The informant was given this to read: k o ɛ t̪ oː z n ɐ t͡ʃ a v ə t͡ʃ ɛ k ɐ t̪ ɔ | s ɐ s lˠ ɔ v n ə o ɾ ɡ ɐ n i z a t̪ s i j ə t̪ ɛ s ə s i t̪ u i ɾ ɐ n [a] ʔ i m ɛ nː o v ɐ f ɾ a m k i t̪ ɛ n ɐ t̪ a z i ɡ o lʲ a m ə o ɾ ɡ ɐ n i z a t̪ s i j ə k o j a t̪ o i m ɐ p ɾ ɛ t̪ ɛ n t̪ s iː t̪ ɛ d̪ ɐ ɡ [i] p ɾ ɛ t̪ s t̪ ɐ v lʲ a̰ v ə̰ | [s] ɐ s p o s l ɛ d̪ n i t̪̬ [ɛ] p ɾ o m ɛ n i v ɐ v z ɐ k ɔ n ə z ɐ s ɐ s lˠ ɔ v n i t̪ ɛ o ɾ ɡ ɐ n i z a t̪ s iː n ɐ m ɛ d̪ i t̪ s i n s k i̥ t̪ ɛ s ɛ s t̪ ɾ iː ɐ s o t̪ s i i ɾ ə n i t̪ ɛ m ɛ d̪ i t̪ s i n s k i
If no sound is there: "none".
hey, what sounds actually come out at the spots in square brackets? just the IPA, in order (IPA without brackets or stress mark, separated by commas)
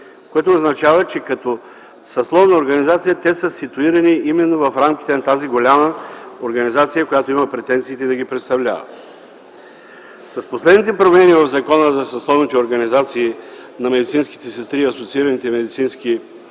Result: i, i, s, ɛ